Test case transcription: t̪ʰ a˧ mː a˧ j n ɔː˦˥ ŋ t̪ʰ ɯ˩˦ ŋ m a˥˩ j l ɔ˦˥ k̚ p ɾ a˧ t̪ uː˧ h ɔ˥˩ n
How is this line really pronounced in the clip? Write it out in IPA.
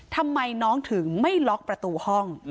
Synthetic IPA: t̪ʰ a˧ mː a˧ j n ɔː˦˥ ŋ t̪ʰ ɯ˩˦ ŋ m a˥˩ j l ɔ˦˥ k̚ p ɾ a˧ t̪ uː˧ h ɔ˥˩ ŋ